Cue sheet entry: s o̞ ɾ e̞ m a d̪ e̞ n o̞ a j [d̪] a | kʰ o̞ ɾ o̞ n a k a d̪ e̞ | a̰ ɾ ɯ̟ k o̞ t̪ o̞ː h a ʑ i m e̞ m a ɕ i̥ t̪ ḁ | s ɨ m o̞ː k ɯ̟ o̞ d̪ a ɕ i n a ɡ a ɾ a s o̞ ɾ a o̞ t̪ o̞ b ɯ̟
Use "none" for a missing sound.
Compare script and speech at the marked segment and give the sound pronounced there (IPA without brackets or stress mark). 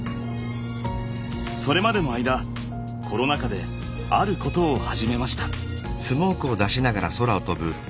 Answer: d̪